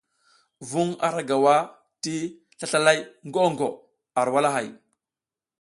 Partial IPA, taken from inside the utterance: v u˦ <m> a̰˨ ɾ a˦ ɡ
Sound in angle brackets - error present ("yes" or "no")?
yes